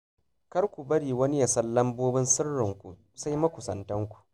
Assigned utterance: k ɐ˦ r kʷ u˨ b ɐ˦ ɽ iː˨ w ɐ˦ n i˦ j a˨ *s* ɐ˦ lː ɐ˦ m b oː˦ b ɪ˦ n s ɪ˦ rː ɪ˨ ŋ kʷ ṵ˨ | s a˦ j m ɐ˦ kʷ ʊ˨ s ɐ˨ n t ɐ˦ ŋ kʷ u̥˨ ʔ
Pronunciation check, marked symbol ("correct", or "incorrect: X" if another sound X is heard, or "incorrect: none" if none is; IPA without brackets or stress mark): correct